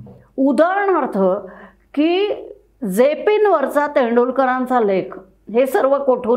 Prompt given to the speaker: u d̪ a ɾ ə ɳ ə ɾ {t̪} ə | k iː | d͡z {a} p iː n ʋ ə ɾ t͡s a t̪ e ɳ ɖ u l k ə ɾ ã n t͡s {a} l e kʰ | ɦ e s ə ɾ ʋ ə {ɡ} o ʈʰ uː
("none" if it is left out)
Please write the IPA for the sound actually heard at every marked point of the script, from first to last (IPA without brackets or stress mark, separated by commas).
t̪ʰ, e, a, k